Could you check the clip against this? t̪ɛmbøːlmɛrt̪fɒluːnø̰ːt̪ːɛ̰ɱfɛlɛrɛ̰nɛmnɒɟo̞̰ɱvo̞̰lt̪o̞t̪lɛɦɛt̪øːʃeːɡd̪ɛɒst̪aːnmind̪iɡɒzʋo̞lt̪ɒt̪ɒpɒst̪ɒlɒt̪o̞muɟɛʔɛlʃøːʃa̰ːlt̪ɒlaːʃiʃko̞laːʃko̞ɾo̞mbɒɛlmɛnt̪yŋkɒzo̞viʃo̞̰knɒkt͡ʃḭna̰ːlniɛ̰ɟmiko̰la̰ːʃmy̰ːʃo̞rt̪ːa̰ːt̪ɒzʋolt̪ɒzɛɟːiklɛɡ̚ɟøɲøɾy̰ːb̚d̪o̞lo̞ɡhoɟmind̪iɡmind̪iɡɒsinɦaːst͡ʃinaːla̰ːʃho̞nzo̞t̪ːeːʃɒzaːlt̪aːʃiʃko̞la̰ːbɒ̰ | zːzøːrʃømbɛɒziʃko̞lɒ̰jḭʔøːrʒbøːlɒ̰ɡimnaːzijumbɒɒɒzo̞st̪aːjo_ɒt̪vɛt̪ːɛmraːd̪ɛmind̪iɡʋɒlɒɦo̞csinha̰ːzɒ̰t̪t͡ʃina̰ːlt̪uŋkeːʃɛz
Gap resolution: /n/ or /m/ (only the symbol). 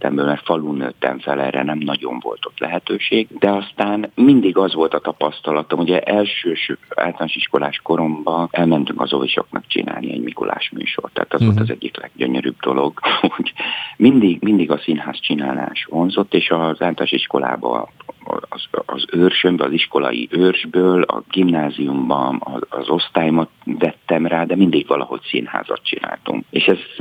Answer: m